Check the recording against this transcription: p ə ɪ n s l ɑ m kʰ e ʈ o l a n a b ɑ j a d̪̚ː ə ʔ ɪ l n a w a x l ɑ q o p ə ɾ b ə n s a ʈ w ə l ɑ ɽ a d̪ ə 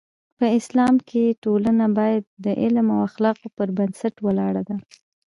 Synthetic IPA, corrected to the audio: p ə ɪ s l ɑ m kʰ e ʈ o l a n a b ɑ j a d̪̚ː ə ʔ ɪ l m a w a x l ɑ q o p ə ɾ b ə n s a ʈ w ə l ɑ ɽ a d̪ a

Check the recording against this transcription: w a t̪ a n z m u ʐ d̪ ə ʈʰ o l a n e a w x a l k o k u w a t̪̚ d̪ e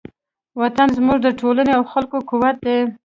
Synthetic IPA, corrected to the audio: w a t̪ a n z m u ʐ d̪ ə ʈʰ o l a n e a w x a l k o k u w a t̪̚ d̪ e

